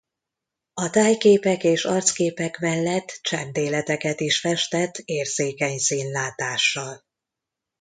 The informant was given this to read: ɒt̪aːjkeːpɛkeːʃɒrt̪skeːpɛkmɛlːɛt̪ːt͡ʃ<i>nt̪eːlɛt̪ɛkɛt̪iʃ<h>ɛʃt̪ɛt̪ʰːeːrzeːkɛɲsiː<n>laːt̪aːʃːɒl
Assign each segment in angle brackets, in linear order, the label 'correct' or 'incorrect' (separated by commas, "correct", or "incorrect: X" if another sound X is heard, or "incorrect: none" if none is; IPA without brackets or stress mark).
incorrect: ɛ, incorrect: f, correct